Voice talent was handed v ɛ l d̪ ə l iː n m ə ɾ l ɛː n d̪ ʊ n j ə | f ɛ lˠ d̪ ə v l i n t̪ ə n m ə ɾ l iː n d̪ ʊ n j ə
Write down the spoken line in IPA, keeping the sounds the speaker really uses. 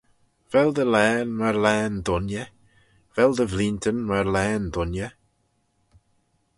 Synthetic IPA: v ɛ l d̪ ə l ɛː n m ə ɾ l ɛː n d̪ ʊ n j ə | v ɛ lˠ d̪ ə v l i n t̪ ə n m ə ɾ l ɛː n d̪ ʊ n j ə